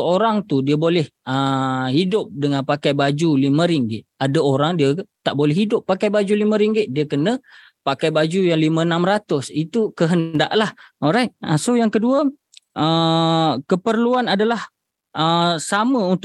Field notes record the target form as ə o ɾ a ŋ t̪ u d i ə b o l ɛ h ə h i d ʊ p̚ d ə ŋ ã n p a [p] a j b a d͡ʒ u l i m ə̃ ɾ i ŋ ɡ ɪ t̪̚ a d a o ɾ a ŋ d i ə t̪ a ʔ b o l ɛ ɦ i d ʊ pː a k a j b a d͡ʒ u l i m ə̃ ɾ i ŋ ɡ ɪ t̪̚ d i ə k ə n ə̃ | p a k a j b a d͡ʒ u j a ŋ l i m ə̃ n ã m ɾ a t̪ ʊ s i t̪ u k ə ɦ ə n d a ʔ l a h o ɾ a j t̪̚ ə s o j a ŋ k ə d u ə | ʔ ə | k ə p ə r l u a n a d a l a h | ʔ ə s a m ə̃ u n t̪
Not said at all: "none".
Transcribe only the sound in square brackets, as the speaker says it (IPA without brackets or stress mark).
k